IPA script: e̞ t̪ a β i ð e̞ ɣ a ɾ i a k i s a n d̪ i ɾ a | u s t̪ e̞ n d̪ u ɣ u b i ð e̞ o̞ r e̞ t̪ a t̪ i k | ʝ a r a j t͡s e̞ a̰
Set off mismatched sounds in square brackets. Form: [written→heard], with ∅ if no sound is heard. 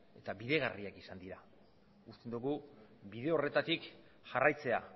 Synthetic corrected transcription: e̞ t̪ a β i ð e̞ ɣ a [ɾ→r] i a k i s a n d̪ i ɾ a | u s t̪ e̞ n d̪ u ɣ u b i ð e̞ o̞ r e̞ t̪ a t̪ i k | ʝ a r a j t͡s e̞ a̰